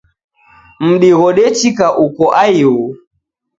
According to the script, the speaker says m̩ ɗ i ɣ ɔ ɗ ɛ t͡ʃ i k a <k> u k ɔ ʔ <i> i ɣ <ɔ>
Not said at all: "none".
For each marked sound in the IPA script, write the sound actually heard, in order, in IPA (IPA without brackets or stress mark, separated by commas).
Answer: ʔ, a, u